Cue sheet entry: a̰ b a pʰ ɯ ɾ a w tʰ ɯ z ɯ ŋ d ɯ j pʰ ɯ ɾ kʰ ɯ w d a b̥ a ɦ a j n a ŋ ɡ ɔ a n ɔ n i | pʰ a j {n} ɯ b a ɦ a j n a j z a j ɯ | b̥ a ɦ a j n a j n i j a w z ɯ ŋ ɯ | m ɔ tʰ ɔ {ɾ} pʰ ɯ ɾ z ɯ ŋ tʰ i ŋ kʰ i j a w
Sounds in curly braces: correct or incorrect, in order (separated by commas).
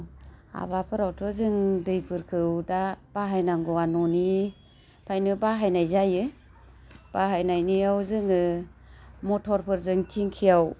correct, correct